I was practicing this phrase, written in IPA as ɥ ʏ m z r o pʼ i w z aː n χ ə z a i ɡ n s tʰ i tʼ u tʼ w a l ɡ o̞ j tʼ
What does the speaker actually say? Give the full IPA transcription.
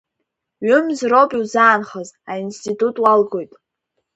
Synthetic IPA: ɥ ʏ m z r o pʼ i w z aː n χ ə z a i n s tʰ i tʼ u tʼ w a l ɡ o̞ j tʼ